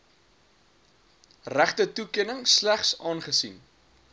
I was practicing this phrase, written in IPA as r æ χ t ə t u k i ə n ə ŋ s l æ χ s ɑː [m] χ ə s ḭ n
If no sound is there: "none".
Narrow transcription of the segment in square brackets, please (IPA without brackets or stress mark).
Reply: n